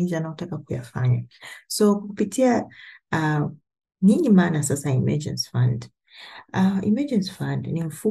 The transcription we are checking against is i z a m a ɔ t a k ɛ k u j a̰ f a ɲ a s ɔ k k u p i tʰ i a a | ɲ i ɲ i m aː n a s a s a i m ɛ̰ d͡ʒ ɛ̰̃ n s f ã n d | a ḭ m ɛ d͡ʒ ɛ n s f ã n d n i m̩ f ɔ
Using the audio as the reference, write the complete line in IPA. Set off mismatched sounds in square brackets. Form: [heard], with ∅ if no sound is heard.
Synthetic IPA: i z a [n] a ɔ t a k [a] k u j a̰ f a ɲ a s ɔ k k u p i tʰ i a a | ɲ i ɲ i m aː n a s a s a i m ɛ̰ d͡ʒ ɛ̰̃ n s f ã n d | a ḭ m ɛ d͡ʒ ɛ n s f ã n d n i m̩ f [u]